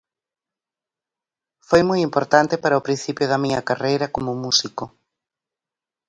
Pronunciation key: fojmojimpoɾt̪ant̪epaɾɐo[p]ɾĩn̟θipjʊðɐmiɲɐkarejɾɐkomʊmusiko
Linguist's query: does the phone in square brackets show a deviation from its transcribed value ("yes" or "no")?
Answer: no